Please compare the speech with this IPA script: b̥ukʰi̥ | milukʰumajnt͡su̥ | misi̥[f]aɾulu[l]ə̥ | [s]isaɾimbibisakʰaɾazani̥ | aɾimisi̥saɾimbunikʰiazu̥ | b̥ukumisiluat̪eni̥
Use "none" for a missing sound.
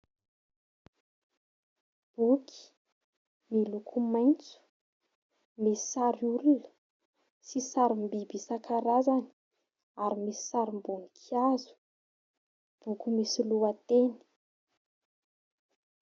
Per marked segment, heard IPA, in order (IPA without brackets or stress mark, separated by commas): s, l, s